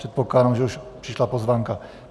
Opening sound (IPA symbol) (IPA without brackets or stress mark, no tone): ɛ